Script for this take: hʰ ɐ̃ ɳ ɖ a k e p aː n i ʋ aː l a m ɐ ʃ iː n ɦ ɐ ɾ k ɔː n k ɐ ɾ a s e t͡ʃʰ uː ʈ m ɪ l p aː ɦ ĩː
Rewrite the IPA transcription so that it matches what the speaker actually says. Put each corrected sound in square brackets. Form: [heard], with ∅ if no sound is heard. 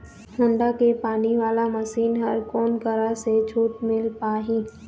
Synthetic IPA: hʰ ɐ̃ ɳ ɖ a k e p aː n i ʋ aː l a m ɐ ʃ iː n ɦ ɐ ɾ k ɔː n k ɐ ɾ a s e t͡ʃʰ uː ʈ m ɪ l p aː ɦ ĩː